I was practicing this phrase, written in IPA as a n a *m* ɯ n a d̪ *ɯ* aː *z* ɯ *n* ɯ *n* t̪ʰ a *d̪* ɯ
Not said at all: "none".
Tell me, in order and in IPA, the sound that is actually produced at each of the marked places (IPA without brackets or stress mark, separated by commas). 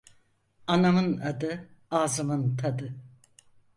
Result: m, ɯ, z, m, n, d̪